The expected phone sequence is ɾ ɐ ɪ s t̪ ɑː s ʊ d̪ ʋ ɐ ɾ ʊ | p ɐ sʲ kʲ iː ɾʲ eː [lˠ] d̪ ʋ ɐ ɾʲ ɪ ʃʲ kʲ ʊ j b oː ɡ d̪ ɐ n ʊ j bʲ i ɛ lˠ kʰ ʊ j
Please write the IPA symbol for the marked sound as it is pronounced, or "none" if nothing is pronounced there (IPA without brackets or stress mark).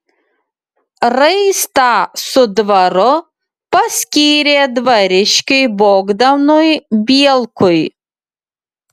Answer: none